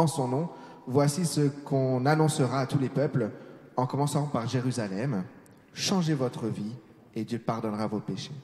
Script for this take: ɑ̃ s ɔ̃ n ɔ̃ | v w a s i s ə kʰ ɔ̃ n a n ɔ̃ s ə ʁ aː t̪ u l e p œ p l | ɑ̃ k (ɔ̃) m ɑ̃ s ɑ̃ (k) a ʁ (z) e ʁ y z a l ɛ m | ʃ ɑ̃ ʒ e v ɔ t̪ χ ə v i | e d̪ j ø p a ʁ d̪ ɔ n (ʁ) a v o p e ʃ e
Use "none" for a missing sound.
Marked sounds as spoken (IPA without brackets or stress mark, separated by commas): ɔ, p, ʒ, ʁ